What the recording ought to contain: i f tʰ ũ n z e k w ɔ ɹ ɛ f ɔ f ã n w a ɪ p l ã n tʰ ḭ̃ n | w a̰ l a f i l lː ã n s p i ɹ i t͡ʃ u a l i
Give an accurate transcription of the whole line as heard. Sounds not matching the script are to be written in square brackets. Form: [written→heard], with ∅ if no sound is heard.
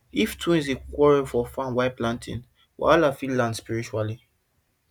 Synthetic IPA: i f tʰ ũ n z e k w ɔ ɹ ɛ f ɔ f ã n w a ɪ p l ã n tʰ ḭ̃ n | w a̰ l a f i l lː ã n s p i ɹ i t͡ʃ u a l i

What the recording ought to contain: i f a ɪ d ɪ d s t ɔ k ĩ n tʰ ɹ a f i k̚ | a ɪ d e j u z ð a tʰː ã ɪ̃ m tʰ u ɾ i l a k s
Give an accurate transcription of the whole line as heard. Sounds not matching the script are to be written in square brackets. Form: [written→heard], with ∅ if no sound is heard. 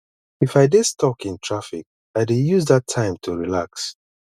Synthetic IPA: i f a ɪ d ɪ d s t ɔ k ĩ n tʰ ɹ a f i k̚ | a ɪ d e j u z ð a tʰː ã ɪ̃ m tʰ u [ɾ→ɹ] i l a k s

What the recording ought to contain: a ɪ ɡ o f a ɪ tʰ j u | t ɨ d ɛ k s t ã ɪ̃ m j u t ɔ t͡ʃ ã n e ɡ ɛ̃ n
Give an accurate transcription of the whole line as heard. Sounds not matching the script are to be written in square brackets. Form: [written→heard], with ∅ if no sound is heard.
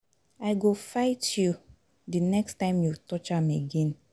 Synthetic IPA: a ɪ ɡ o f a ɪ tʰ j u | [t→d] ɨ [d→n] ɛ k s t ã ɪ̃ m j u t ɔ t͡ʃ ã [n→m] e ɡ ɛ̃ n

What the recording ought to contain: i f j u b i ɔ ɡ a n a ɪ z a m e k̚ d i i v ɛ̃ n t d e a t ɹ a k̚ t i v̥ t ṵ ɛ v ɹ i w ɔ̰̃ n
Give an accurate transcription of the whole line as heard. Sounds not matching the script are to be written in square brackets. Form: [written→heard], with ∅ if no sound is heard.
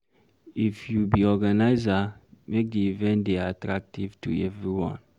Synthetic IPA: i f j u b i ɔ ɡ a n a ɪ z a m e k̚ d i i v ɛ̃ n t d e a t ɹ a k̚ t i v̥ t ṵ ɛ v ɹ i w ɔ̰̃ n

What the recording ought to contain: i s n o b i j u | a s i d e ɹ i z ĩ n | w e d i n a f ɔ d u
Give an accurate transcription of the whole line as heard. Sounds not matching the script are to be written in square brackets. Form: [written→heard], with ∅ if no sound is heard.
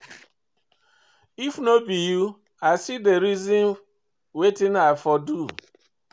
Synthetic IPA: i [s→f] n o b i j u | a s i d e [ɹ→ɾ] i z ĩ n | w e [d→t] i n a f ɔ d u

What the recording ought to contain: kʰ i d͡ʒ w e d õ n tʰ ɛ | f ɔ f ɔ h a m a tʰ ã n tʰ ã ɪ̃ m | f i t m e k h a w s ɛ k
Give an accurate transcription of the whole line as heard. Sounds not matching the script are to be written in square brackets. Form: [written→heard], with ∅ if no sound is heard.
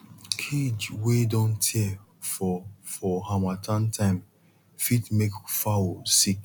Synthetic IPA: kʰ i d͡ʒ w e d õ n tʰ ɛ | f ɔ f ɔ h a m a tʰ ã n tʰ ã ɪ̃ m | f i t m e k [h→f] a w s [ɛ→i] k

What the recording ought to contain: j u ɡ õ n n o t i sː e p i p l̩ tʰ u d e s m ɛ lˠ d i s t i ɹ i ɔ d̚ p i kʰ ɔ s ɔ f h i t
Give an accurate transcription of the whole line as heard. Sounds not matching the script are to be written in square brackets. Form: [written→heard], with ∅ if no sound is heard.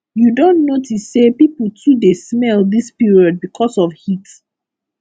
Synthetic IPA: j u [ɡ→d] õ n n o t i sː e p i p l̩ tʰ u d e s m ɛ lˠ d i s [t→p] i ɹ i ɔ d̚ [p→b] i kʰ ɔ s ɔ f h i t

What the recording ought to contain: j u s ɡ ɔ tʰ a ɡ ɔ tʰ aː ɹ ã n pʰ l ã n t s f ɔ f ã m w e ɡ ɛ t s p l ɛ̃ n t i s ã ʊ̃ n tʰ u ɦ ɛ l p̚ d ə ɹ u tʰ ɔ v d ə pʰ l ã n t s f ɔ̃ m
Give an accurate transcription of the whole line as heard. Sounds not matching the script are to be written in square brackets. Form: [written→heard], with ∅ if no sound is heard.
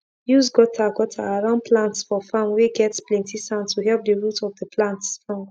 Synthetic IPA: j u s ɡ ɔ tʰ a ɡ ɔ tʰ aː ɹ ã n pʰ l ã n t s f ɔ f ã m w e ɡ ɛ t s p l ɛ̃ n t i s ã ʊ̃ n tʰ u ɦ ɛ l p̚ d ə ɹ u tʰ ɔ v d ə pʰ l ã n t s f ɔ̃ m

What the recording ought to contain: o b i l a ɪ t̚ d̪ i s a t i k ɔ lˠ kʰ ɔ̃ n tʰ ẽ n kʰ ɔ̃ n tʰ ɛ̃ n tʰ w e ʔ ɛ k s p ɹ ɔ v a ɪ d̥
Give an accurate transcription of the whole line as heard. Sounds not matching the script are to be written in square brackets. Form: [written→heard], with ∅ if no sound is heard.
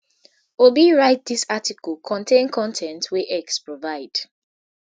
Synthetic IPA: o b i [l→ɹ] a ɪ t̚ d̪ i s a t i k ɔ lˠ kʰ ɔ̃ n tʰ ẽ n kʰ ɔ̃ n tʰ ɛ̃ n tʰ w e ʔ ɛ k s p ɹ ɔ v a ɪ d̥

